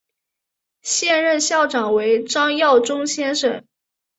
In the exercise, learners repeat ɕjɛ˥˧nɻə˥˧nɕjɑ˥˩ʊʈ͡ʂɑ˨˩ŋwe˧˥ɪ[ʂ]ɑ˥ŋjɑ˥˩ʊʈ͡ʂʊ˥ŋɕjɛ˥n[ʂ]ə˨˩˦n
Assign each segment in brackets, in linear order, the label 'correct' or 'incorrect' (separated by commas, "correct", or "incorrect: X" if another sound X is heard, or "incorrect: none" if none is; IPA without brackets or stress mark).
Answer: incorrect: ʈ͡ʂ, correct